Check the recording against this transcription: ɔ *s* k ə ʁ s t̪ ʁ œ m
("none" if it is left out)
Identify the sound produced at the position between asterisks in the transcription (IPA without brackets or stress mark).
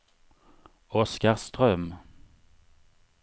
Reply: s